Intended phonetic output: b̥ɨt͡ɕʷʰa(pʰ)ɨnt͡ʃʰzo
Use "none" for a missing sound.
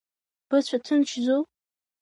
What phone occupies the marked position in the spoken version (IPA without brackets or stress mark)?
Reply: tʰ